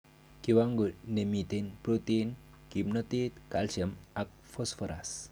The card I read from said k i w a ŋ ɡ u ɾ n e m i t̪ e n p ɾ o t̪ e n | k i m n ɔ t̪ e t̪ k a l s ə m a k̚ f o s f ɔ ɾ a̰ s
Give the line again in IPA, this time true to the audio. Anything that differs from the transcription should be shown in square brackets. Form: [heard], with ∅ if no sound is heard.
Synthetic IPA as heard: k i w a ŋ ɡ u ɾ n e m i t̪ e n p ɾ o t̪ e n | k i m n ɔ t̪ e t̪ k a l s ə m a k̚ f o s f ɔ ɾ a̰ s